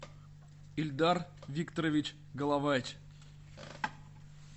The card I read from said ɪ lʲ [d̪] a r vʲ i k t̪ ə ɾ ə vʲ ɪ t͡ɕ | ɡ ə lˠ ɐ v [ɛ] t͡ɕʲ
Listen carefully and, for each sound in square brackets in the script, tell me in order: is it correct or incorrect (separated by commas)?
correct, incorrect